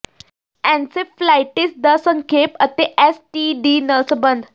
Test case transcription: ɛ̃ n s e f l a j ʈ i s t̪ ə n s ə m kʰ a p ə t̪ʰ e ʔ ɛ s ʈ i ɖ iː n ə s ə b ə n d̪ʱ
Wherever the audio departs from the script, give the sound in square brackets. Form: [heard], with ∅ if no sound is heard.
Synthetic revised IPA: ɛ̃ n s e f l a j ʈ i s [d̪] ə [∅] s ə [ŋ] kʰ [e] p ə [t̪] e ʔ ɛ s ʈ i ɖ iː n ə s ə b ə n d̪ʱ